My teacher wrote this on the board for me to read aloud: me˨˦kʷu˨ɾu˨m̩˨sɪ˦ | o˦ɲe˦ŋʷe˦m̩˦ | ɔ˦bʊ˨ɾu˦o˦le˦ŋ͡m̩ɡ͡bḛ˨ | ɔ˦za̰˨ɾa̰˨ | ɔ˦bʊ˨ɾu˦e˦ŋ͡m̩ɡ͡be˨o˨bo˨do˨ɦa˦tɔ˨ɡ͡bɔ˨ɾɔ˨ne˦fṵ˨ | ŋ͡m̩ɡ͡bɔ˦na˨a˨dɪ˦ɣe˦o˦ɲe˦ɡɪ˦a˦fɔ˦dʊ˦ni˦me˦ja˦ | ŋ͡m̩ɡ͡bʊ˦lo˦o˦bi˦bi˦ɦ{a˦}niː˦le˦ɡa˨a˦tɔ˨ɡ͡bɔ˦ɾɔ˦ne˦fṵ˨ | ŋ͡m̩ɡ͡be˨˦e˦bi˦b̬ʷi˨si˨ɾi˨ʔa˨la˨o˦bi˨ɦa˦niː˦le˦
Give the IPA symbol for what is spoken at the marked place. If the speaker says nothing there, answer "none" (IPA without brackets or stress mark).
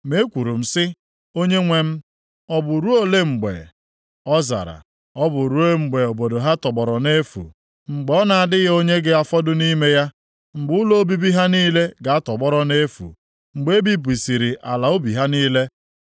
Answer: a˦